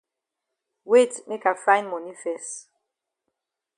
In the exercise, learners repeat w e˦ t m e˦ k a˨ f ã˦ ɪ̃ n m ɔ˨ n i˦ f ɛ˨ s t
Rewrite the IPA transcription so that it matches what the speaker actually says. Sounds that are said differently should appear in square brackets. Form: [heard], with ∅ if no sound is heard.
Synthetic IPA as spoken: w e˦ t m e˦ k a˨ f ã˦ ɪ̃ n m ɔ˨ n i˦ f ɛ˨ s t